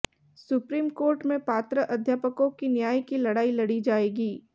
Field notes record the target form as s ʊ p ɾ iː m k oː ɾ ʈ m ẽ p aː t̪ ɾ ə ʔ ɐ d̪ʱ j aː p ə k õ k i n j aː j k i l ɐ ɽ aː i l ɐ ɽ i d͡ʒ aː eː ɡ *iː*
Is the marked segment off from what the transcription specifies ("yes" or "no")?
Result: no